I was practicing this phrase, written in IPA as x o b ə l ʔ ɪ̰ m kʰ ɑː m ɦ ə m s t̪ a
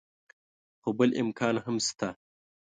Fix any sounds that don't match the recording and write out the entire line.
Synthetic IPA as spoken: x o b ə l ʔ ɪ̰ m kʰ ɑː n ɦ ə m s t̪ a